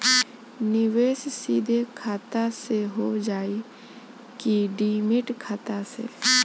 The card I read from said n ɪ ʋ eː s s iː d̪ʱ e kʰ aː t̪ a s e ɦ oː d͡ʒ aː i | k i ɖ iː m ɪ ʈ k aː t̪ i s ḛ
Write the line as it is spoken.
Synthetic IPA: n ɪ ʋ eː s s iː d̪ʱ e kʰ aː t̪ a s e ɦ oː d͡ʒ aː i | k i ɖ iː m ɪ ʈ kʰ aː t̪ a s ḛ